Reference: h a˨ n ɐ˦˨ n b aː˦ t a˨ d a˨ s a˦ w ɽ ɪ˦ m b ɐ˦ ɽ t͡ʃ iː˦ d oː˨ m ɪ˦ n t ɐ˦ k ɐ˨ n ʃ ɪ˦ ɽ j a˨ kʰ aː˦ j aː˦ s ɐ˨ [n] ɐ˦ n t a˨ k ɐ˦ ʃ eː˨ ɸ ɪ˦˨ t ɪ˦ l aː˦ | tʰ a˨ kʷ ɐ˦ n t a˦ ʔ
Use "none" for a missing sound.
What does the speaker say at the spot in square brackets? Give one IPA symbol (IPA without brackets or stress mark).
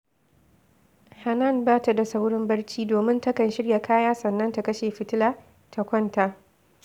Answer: nː